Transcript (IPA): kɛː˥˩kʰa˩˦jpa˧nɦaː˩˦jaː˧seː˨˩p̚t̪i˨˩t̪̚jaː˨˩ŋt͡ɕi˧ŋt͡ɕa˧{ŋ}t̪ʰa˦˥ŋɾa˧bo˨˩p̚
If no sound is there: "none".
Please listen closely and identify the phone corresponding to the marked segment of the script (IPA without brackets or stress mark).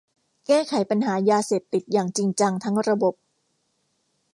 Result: ŋ